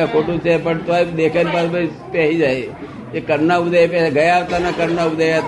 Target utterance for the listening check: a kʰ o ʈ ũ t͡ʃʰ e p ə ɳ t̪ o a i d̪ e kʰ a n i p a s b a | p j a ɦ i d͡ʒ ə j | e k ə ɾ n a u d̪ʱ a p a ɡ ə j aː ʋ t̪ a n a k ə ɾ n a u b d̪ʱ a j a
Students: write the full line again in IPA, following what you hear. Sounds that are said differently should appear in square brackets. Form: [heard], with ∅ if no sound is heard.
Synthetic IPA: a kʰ o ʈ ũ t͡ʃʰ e p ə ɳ t̪ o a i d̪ e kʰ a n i p a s b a | p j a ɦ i d͡ʒ [a] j | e k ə ɾ n a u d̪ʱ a p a ɡ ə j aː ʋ t̪ a n a k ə ɾ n a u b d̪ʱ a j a